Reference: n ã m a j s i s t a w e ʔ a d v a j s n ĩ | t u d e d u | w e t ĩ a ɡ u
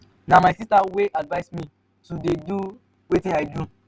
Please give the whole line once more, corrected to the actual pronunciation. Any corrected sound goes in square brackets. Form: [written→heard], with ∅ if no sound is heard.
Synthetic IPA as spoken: n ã m a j s i s t a w e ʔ a d v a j s [n→m] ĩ | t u d e d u | w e t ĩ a [ɡ→d] u